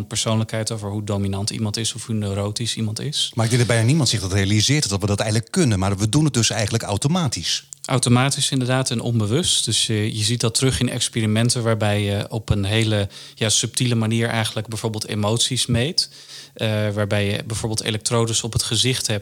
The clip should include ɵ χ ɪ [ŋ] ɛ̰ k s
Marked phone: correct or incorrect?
incorrect